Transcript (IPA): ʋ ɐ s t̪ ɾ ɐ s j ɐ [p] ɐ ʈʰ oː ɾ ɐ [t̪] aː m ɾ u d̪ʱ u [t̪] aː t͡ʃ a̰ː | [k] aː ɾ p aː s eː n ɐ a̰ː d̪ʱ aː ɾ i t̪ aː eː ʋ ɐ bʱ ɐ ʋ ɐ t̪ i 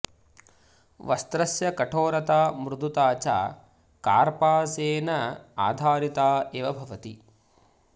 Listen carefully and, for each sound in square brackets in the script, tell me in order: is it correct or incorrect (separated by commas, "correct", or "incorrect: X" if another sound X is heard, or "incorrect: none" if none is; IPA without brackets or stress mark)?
incorrect: k, correct, correct, correct